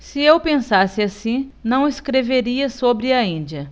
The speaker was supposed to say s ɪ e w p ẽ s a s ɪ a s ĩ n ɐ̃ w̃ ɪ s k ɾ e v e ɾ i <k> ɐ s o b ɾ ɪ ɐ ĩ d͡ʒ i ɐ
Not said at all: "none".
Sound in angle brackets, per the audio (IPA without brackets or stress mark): none